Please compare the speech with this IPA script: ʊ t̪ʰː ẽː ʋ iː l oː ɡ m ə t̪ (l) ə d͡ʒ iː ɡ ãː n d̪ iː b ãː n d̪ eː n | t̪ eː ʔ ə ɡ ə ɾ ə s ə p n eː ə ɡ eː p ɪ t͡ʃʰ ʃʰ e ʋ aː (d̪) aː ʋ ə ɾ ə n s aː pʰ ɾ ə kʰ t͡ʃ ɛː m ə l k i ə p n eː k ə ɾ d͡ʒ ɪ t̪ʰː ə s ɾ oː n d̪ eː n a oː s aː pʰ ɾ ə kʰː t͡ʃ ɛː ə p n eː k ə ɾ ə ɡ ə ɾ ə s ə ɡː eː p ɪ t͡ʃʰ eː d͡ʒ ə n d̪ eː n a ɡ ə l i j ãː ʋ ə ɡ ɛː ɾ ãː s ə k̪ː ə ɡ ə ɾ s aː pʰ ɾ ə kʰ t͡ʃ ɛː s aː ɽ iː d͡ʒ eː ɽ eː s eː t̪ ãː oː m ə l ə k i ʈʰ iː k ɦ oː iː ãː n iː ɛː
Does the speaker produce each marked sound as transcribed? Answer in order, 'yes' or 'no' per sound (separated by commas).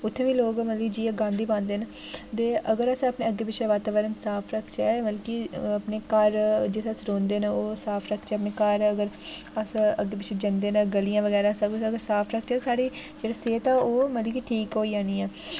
yes, no